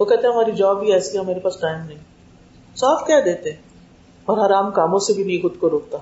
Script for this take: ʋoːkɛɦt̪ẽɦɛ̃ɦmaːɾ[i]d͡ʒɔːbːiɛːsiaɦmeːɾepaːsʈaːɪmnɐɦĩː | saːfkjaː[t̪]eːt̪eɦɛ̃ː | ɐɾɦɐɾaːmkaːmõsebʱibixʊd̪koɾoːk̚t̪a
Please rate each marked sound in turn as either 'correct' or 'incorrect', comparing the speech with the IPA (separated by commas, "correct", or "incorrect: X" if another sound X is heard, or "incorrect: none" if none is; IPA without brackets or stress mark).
correct, incorrect: d̪